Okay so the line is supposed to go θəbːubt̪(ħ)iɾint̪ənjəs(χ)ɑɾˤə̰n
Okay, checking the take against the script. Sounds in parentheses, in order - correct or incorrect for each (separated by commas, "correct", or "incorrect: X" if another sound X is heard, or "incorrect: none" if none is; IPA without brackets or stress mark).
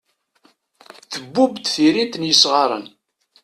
incorrect: θ, incorrect: ʁ